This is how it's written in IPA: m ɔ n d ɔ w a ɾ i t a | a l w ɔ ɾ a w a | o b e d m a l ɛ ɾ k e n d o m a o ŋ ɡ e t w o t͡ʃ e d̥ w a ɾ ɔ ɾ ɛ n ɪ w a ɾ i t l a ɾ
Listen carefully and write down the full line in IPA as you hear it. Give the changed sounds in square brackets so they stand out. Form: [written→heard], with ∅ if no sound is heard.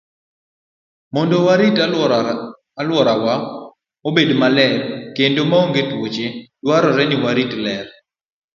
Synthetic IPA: m ɔ n d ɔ w a ɾ i t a | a l w ɔ ɾ a w a | o b e d m a l ɛ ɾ k e n d o m a o ŋ ɡ e t w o t͡ʃ e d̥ w a ɾ ɔ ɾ ɛ n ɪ w a ɾ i t l [a→ɛ] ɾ